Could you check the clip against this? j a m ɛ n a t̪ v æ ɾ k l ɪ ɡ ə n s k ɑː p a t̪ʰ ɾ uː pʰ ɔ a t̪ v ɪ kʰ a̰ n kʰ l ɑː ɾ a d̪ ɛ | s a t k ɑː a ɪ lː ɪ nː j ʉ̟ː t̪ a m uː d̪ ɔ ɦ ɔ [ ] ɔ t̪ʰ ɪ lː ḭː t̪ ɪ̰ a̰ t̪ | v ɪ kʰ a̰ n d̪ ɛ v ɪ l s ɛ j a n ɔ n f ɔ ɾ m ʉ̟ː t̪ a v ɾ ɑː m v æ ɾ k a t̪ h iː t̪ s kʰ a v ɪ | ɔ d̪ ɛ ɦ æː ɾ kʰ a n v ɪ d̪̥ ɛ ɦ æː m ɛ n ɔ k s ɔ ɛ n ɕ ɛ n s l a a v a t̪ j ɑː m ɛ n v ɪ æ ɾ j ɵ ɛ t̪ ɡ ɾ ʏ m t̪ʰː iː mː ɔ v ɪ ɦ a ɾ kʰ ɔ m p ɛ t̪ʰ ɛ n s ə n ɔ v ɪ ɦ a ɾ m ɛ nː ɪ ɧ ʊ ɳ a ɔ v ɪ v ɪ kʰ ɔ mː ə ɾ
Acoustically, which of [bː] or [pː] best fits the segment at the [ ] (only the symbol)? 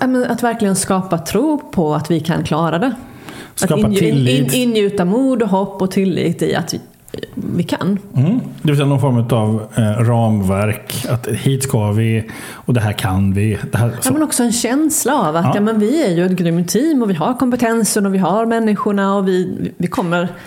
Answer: pː